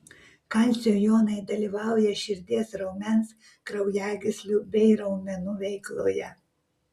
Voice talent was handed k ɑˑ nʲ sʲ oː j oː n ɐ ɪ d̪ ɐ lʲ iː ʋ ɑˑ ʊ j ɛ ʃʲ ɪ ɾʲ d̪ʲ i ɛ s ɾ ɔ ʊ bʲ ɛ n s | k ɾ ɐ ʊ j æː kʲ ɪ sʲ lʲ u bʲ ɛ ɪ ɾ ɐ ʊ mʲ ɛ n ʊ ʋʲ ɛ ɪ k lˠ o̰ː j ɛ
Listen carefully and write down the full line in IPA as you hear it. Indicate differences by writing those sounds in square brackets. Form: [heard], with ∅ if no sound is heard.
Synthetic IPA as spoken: k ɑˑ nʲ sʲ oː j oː n ɐ ɪ d̪ ɐ lʲ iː ʋ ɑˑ ʊ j ɛ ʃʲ ɪ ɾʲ d̪ʲ i ɛ s ɾ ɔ ʊ [mʲ] ɛ n s | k ɾ ɐ ʊ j æː [ɡʲ] ɪ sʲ lʲ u bʲ ɛ ɪ ɾ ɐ ʊ mʲ ɛ n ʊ ʋʲ ɛ ɪ k lˠ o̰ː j ɛ

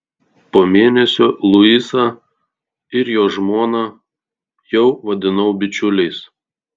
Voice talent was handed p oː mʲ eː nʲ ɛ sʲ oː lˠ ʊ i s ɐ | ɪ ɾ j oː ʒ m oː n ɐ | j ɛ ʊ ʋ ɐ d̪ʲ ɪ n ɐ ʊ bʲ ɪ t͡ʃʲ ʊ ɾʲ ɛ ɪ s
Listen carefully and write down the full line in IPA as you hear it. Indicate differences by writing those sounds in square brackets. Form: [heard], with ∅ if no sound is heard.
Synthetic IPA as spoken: p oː mʲ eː nʲ ɛ sʲ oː lˠ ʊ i s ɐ | ɪ ɾ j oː ʒ m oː n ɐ | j ɛ ʊ ʋ ɐ d̪ʲ ɪ n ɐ ʊ bʲ ɪ t͡ʃʲ ʊ [lʲ] ɛ ɪ s

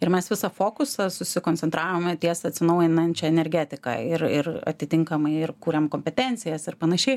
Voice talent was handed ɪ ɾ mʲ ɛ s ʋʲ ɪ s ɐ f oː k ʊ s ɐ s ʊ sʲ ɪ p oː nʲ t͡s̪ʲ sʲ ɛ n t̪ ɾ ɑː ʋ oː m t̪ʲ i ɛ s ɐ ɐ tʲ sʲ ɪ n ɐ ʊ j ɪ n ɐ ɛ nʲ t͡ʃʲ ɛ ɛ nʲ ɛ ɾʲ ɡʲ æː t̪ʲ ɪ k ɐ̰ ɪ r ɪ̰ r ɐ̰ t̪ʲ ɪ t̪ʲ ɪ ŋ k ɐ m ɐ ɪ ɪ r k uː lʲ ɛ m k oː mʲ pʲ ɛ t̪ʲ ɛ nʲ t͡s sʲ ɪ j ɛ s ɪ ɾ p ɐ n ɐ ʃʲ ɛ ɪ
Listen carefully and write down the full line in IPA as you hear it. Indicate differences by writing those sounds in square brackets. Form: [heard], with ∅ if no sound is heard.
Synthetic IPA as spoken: ɪ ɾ mʲ ɛ s ʋʲ ɪ s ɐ f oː k ʊ s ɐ s ʊ sʲ ɪ [k] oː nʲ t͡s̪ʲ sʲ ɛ n t̪ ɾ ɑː ʋ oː m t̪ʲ i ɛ s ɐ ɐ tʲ sʲ ɪ n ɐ ʊ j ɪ n ɐ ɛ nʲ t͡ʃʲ ɛ ɛ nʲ ɛ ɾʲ ɡʲ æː t̪ʲ ɪ k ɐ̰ ɪ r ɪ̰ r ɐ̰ t̪ʲ ɪ t̪ʲ ɪ ŋ k ɐ m ɐ ɪ ɪ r k uː [ɾʲ] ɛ m k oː mʲ pʲ ɛ t̪ʲ ɛ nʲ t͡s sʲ ɪ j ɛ s ɪ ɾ p ɐ n ɐ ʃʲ ɛ ɪ

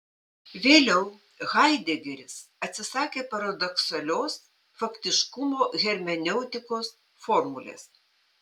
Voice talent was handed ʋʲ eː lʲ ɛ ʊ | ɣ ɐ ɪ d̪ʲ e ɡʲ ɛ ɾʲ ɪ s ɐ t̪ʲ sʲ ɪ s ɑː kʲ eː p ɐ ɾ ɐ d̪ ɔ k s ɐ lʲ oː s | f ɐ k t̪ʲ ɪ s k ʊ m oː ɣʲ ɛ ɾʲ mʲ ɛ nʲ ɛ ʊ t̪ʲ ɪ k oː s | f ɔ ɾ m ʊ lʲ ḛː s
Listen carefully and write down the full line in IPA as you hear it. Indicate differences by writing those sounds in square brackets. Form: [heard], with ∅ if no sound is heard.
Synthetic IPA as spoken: ʋʲ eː lʲ ɛ ʊ | ɣ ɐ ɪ d̪ʲ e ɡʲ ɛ ɾʲ ɪ s ɐ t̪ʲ sʲ ɪ s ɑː kʲ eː p ɐ ɾ ɐ d̪ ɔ k s ɐ lʲ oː s | f ɐ k t̪ʲ ɪ [ʃ] k ʊ m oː ɣʲ ɛ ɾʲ mʲ ɛ nʲ ɛ ʊ t̪ʲ ɪ k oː s | f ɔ ɾ m ʊ lʲ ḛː s

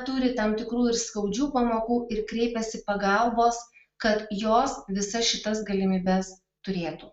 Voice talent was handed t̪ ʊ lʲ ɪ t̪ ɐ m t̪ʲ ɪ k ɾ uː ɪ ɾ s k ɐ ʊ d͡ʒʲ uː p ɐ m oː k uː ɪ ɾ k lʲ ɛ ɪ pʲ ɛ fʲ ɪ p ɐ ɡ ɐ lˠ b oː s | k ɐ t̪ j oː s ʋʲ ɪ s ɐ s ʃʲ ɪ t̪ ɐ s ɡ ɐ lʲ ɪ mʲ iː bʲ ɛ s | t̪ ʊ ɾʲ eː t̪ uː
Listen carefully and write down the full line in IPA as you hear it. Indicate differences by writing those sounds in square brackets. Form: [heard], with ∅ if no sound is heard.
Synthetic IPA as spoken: t̪ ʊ [ɾʲ] ɪ t̪ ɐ m t̪ʲ ɪ k ɾ uː ɪ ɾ s k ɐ ʊ d͡ʒʲ uː p ɐ m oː k uː ɪ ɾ k [ɾʲ] ɛ ɪ pʲ ɛ [sʲ] ɪ p ɐ ɡ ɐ lˠ b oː s | k ɐ t̪ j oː s ʋʲ ɪ s ɐ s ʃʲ ɪ t̪ ɐ s ɡ ɐ lʲ ɪ mʲ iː bʲ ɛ s | t̪ ʊ ɾʲ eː t̪ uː

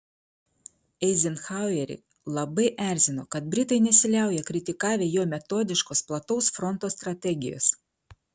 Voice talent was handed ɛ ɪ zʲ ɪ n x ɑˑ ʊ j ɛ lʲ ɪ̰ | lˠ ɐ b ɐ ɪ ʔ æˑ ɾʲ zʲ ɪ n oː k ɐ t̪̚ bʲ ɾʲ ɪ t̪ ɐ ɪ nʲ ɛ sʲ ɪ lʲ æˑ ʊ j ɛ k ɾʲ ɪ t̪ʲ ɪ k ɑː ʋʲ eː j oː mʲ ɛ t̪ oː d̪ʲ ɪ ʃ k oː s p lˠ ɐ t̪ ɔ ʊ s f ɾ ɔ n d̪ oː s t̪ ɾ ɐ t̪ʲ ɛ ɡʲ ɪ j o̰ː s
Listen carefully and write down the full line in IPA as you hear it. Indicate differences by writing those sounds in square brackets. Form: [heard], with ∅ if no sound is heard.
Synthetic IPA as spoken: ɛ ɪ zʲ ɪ n x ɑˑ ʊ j ɛ [ɾʲ] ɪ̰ | lˠ ɐ b ɐ ɪ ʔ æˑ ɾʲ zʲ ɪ n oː k ɐ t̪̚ bʲ ɾʲ ɪ t̪ ɐ ɪ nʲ ɛ sʲ ɪ lʲ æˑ ʊ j ɛ k ɾʲ ɪ t̪ʲ ɪ k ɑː ʋʲ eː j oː mʲ ɛ t̪ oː d̪ʲ ɪ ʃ k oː s p lˠ ɐ t̪ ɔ ʊ s f ɾ ɔ n [t̪] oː s t̪ ɾ ɐ t̪ʲ ɛ ɡʲ ɪ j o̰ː s

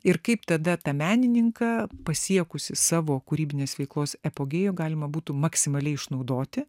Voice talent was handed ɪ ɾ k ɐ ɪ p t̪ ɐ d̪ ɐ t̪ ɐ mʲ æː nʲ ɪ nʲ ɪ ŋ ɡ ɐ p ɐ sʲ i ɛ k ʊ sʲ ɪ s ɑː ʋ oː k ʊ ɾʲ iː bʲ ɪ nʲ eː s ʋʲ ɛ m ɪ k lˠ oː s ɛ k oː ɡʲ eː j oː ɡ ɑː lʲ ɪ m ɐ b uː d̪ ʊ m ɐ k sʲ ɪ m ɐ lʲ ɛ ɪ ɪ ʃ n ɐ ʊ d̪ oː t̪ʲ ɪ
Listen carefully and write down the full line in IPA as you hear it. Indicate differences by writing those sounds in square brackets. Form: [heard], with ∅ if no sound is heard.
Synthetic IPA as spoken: ɪ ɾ k ɐ ɪ p t̪ ɐ d̪ ɐ t̪ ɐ mʲ æː nʲ ɪ nʲ ɪ ŋ [k] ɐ p ɐ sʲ i ɛ k ʊ sʲ ɪ s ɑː ʋ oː k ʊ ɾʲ iː bʲ ɪ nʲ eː s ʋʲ ɛ [∅] ɪ k lˠ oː s ɛ [p] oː ɡʲ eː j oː ɡ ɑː lʲ ɪ m ɐ b uː [t̪] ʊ m ɐ k sʲ ɪ m ɐ lʲ ɛ ɪ ɪ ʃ n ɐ ʊ d̪ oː t̪ʲ ɪ

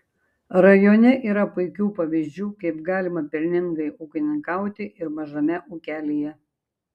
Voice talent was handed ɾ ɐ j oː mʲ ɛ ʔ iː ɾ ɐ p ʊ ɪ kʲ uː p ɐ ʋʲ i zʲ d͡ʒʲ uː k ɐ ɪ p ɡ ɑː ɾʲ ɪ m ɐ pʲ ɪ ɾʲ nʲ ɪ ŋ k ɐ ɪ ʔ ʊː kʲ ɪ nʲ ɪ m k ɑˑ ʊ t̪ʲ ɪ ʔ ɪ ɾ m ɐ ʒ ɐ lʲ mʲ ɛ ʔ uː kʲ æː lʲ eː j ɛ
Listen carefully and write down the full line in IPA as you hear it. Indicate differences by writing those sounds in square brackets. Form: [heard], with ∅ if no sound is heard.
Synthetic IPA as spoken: ɾ ɐ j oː [nʲ] ɛ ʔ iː ɾ ɐ p ʊ ɪ kʲ uː p ɐ ʋʲ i zʲ d͡ʒʲ uː k ɐ ɪ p ɡ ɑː [lʲ] ɪ m ɐ pʲ ɪ ɾʲ nʲ ɪ ŋ [ɡ] ɐ ɪ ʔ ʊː kʲ ɪ nʲ ɪ [ŋ] k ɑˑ ʊ t̪ʲ ɪ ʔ ɪ ɾ m ɐ ʒ ɐ [∅] mʲ ɛ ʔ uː kʲ æː lʲ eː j ɛ

